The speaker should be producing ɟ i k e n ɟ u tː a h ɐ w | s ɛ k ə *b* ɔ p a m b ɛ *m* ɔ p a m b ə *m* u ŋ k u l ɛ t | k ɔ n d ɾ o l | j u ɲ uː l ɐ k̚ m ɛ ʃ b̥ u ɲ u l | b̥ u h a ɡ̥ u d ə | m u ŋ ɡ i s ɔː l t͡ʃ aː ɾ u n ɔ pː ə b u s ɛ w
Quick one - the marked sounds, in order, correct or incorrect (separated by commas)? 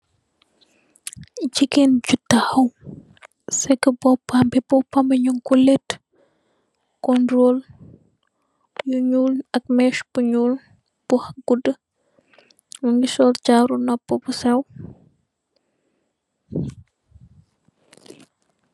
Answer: correct, incorrect, incorrect